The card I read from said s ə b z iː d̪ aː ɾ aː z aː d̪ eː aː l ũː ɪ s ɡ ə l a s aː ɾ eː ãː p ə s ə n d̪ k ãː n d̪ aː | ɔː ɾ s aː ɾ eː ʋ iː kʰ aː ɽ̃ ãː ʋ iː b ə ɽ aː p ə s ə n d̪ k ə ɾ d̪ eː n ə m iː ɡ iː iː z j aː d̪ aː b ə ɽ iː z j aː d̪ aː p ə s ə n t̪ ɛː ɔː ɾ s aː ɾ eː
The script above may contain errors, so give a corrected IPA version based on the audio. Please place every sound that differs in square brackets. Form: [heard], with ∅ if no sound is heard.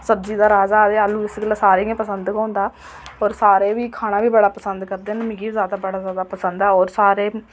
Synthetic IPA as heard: s ə b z iː d̪ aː ɾ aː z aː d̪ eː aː l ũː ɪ s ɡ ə l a s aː ɾ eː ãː p ə s ə n d̪ k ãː n d̪ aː | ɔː ɾ s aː ɾ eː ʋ iː kʰ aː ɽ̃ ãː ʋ iː b ə ɽ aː p ə s ə n d̪ k ə ɾ d̪ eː n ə m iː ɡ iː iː z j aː d̪ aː b ə ɽ [aː] z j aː d̪ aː p ə s ə n [d̪] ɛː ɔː ɾ s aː ɾ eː